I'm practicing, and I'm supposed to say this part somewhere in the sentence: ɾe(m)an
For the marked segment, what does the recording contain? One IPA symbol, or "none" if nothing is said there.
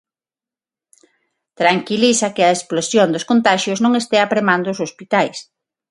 m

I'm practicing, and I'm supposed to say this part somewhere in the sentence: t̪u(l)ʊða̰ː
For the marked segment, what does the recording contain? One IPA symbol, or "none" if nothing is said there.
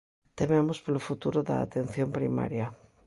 ɾ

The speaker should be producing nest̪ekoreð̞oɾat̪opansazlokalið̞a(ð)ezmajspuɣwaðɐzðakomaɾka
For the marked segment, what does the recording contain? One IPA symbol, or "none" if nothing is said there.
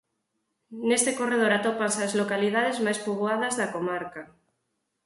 ð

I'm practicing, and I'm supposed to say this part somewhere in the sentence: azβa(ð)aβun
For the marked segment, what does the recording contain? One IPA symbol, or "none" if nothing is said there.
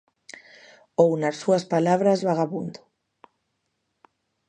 ɣ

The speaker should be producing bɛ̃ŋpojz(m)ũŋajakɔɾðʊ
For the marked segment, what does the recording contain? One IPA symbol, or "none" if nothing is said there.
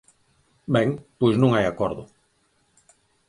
n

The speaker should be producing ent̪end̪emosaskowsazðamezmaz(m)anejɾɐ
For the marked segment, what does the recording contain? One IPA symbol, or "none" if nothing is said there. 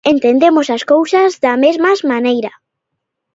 m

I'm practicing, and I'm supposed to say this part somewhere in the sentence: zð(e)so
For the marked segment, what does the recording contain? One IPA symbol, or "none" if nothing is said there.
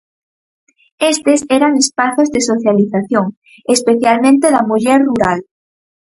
e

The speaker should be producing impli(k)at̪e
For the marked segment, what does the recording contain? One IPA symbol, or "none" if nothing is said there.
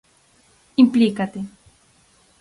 k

